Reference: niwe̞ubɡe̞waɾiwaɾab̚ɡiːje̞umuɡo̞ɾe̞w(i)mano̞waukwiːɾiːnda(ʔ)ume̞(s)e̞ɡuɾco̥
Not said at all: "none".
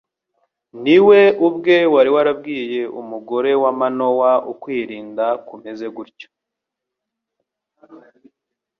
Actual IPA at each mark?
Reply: a, k, z

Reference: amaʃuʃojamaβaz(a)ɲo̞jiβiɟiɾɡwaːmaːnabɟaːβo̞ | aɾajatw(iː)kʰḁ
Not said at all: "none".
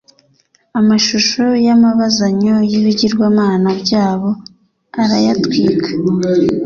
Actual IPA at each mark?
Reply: a, iː

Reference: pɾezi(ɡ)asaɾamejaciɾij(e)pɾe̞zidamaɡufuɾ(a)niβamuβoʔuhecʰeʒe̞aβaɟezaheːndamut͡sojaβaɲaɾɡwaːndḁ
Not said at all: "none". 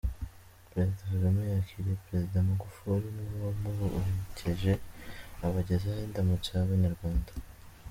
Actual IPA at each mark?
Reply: d, e, i

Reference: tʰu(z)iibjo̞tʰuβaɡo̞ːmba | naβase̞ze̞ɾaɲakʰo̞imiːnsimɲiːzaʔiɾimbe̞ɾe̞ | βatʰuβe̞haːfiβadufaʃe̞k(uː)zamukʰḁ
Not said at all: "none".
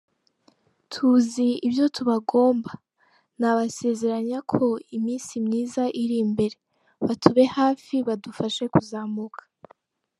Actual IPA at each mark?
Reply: z, u

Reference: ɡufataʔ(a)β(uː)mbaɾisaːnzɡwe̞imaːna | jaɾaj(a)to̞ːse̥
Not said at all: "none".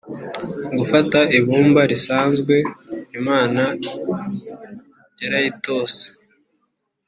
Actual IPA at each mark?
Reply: i, uː, i

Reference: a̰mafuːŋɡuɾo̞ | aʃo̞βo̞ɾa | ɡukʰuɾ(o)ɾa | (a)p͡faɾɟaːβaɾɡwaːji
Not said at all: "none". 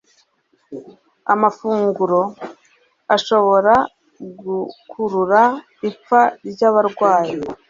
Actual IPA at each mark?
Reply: u, i

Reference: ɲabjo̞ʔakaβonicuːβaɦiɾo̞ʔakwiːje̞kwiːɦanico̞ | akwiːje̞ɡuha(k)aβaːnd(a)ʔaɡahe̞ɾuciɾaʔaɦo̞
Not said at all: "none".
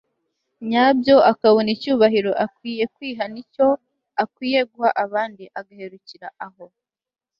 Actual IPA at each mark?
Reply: ʔ, i

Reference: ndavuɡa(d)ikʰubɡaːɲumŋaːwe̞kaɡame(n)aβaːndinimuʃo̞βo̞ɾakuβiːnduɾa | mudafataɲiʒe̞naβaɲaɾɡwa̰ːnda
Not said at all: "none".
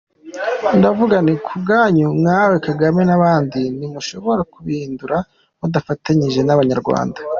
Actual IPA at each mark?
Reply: n, n

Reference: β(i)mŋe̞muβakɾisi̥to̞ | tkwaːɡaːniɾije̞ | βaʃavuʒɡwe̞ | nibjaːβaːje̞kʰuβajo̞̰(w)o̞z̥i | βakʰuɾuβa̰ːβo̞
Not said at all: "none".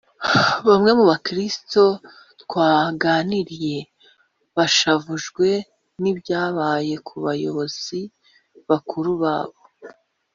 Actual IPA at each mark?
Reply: a, β

